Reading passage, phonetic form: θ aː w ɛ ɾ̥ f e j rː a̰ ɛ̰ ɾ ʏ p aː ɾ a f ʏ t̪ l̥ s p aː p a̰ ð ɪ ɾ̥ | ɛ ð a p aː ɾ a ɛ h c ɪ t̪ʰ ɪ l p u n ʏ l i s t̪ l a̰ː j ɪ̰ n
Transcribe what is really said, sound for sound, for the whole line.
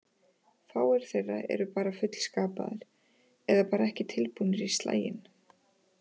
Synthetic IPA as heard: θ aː w ɛ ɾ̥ θ e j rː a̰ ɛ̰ ɾ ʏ p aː ɾ a f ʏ t̪ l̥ s k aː p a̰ ð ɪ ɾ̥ | ɛ ð a p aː ɾ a ɛ h c ɪ t̪ʰ ɪ l p u n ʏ ɾ i s t̪ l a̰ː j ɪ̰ n